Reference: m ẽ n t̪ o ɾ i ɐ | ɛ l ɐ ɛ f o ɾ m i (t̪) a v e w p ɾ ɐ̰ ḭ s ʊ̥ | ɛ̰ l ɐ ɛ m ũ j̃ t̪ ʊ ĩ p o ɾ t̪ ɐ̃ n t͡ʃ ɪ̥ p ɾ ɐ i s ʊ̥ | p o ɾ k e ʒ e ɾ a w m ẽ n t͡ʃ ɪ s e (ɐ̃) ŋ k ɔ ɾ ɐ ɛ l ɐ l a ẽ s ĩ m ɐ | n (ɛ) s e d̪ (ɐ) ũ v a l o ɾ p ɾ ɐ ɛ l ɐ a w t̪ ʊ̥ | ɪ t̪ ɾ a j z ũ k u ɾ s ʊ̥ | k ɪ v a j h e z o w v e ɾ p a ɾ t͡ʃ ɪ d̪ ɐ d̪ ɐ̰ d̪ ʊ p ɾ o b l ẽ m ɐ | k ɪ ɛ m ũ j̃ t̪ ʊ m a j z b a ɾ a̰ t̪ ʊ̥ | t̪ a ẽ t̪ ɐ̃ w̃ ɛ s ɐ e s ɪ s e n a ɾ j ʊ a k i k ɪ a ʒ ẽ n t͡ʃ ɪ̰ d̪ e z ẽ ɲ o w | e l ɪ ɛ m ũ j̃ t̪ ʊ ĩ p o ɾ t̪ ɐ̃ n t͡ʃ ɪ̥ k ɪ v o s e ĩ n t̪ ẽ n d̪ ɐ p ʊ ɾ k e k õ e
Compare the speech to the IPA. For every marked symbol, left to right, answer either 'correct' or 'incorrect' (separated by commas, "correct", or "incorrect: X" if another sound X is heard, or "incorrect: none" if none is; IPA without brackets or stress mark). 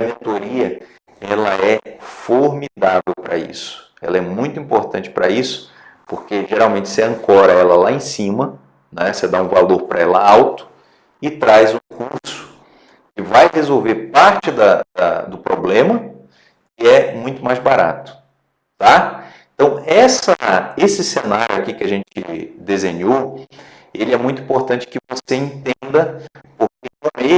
incorrect: d̪, correct, correct, incorrect: a